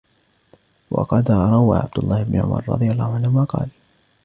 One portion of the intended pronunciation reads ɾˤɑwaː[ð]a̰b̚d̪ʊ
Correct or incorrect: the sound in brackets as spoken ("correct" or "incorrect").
incorrect